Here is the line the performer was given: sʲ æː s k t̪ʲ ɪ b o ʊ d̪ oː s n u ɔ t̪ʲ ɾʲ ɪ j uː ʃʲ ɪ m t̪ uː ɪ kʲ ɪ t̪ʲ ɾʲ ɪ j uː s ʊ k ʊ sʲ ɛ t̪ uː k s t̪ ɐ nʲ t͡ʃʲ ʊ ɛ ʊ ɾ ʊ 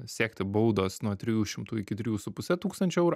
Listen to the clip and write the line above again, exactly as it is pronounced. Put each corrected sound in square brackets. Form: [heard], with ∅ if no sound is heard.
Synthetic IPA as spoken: sʲ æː [∅] k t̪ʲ ɪ b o ʊ d̪ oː s n u ɔ t̪ʲ ɾʲ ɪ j uː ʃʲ ɪ m t̪ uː ɪ kʲ ɪ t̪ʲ ɾʲ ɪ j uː s ʊ [p] ʊ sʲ ɛ t̪ uː k s t̪ ɐ nʲ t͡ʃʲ ʊ ɛ ʊ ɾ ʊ

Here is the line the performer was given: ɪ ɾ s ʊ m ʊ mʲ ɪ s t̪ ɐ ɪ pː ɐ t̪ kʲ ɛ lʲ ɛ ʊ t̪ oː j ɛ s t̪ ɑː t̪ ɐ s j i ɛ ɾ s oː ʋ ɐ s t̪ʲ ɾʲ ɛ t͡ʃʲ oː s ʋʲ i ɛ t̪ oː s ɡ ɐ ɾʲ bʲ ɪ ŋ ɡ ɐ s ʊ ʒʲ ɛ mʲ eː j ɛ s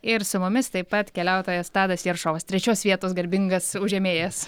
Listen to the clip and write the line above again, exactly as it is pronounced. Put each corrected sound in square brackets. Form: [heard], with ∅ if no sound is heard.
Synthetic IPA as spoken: ɪ ɾ s ʊ m ʊ mʲ ɪ s t̪ ɐ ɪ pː ɐ t̪ kʲ ɛ lʲ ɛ ʊ t̪ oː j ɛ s t̪ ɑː [d̪] ɐ s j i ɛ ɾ [ʃ] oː ʋ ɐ s t̪ʲ ɾʲ ɛ t͡ʃʲ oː s ʋʲ i ɛ t̪ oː s ɡ ɐ ɾʲ bʲ ɪ ŋ ɡ ɐ s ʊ ʒʲ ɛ mʲ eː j ɛ s

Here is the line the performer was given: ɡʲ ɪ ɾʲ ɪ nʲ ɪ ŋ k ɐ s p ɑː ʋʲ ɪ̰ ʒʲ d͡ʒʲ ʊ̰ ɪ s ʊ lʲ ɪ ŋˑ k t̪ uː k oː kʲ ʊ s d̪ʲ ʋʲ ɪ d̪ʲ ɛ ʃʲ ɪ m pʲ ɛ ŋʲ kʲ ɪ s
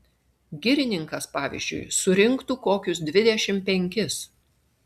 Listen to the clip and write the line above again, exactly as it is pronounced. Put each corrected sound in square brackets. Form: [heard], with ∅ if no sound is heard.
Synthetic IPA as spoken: ɡʲ ɪ ɾʲ ɪ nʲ ɪ ŋ k ɐ s p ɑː ʋʲ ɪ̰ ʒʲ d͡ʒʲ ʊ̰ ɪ s ʊ [ɾʲ] ɪ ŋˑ k t̪ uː k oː kʲ ʊ s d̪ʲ ʋʲ ɪ d̪ʲ ɛ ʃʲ ɪ m pʲ ɛ ŋʲ kʲ ɪ s

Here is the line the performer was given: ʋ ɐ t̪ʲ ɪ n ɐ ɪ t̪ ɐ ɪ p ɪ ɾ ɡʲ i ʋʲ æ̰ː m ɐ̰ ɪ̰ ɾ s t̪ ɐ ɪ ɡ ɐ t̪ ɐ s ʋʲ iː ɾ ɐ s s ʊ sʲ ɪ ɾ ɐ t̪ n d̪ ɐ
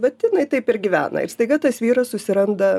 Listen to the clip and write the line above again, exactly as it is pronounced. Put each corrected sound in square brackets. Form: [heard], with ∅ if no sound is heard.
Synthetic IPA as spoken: ʋ ɐ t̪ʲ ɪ n ɐ ɪ t̪ ɐ ɪ p ɪ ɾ ɡʲ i ʋʲ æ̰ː [n] ɐ̰ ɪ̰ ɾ s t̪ ɐ ɪ ɡ ɐ t̪ ɐ s ʋʲ iː ɾ ɐ s s ʊ sʲ ɪ ɾ ɐ [∅] n d̪ ɐ

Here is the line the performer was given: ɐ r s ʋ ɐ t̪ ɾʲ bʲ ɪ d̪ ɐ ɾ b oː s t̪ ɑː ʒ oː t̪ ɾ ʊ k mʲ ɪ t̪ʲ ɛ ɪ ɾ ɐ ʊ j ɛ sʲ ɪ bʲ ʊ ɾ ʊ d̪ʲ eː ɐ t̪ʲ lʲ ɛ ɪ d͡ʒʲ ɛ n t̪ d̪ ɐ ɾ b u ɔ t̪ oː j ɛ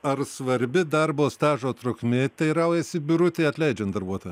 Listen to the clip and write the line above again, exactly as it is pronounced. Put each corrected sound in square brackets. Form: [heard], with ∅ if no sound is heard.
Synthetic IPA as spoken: ɐ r s ʋ ɐ [∅] ɾʲ bʲ ɪ d̪ ɐ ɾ b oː s t̪ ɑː ʒ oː t̪ ɾ ʊ k mʲ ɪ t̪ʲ ɛ ɪ ɾ ɐ ʊ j ɛ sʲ ɪ bʲ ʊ ɾ ʊ [t̪ʲ] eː ɐ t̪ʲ lʲ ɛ ɪ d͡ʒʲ ɛ n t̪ d̪ ɐ ɾ b u ɔ t̪ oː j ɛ

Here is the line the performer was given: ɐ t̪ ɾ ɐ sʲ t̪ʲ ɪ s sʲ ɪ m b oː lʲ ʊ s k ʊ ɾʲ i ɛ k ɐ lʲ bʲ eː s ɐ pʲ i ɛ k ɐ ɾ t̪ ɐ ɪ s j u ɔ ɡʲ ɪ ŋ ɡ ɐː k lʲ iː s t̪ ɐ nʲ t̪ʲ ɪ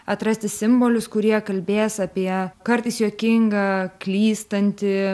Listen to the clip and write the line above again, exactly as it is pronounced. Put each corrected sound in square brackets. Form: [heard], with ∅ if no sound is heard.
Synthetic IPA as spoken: ɐ t̪ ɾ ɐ sʲ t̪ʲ ɪ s sʲ ɪ m b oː lʲ ʊ s k ʊ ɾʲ i ɛ k ɐ lʲ bʲ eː s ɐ pʲ i ɛ k ɐ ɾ t̪ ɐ ɪ s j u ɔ [kʲ] ɪ ŋ ɡ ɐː k lʲ iː s t̪ ɐ nʲ t̪ʲ ɪ

